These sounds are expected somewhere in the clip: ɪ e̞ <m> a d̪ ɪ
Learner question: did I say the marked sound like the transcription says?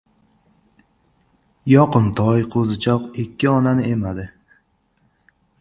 yes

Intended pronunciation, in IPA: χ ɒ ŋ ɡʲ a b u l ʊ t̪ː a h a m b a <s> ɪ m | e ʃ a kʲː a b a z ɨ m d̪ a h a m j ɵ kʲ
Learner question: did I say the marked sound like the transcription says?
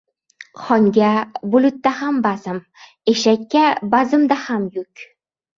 no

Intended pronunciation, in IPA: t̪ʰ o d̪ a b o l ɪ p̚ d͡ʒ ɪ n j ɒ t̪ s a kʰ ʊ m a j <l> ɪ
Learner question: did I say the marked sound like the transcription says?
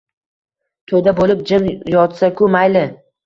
yes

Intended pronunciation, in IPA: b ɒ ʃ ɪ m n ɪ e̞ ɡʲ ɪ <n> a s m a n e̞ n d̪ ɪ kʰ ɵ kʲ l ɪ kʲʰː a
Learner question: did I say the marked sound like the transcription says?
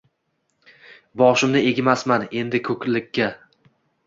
no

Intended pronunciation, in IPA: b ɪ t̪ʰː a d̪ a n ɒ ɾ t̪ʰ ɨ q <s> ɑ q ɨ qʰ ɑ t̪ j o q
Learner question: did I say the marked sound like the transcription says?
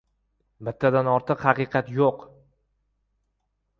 no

